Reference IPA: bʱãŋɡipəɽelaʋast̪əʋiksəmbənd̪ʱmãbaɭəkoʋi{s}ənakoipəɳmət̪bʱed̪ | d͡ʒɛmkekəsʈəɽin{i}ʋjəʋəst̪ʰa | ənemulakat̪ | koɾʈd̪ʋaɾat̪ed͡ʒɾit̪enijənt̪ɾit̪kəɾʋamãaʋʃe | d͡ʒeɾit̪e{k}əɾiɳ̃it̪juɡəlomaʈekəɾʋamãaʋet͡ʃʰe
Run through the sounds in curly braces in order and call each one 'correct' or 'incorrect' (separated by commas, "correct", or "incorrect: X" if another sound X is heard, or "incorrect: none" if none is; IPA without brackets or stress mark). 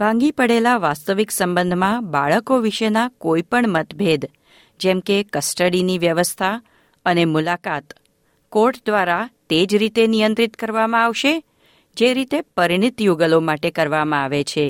incorrect: ʃ, correct, incorrect: p